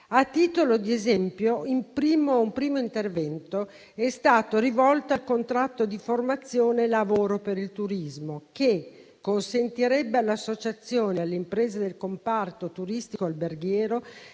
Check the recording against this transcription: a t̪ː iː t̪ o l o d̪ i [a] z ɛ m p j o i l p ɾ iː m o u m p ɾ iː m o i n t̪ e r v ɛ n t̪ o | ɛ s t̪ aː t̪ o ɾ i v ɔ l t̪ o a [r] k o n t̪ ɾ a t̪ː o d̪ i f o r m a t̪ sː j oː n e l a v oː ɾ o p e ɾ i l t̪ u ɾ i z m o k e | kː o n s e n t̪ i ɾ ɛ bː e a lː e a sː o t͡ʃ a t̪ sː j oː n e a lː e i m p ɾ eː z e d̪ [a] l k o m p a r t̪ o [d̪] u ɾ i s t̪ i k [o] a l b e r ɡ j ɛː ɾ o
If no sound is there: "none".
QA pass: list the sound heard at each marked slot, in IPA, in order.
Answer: e, l, e, t̪, o

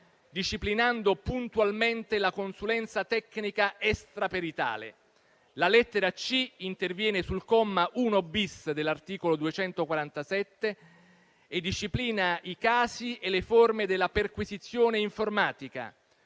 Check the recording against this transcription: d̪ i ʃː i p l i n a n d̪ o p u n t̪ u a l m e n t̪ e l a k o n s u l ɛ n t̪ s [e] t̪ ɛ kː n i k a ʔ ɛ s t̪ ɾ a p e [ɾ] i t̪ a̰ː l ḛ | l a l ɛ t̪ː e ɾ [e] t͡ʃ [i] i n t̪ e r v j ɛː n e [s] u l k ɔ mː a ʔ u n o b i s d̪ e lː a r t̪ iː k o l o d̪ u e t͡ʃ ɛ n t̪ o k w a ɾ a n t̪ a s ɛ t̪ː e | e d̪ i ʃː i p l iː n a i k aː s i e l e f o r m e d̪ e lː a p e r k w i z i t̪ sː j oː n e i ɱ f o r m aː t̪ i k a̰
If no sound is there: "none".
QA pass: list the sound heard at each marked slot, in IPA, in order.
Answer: a, ɾ, a, i, s

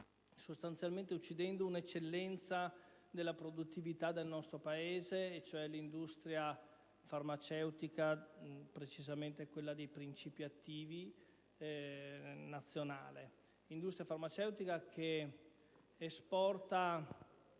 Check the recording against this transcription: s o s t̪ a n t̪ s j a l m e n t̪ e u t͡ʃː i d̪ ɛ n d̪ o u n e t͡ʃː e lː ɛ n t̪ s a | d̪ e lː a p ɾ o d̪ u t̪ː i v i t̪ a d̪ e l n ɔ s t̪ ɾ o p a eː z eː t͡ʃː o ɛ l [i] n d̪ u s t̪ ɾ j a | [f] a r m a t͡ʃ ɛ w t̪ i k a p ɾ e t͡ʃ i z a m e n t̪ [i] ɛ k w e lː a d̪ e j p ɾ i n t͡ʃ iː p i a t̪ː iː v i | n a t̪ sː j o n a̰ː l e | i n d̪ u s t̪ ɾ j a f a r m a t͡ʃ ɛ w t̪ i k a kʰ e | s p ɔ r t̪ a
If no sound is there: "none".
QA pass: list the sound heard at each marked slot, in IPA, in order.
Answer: i, f, e

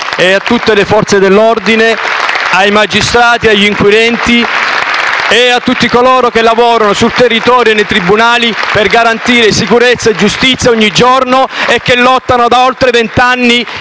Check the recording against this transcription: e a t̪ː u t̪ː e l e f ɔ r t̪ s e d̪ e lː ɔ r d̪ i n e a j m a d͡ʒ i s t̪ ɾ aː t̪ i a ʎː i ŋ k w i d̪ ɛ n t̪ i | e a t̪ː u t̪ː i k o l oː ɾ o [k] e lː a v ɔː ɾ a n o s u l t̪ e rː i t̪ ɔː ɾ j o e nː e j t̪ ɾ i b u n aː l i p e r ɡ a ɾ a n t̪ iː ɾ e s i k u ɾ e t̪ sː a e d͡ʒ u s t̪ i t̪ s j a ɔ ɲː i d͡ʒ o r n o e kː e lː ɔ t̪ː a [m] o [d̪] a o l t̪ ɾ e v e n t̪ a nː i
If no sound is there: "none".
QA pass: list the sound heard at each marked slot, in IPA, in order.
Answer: k, n, d̪

